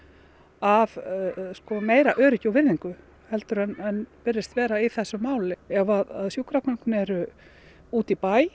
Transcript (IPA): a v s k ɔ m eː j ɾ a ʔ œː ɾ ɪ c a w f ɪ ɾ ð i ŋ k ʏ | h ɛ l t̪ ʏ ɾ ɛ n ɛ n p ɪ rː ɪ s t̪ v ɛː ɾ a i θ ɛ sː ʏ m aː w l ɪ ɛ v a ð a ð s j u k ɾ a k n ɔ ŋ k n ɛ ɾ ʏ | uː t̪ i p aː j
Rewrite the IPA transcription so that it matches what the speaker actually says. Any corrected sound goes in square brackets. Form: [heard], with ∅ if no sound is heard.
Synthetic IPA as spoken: a v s k ɔ m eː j ɾ a ʔ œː ɾ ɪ c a w [v] ɪ ɾ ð i ŋ k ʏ | h ɛ l t̪ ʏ ɾ ɛ n ɛ n p ɪ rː ɪ s t̪ v ɛː ɾ a i θ ɛ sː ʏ m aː w l ɪ ɛ v a ð a ð s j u k ɾ a k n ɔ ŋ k n ɛ ɾ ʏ | uː t̪ i p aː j